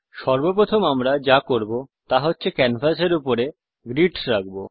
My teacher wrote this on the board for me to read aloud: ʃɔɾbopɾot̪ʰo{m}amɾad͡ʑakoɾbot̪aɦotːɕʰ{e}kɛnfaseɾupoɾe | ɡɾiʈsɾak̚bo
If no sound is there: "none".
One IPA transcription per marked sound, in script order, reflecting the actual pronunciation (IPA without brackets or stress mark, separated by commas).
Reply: m, e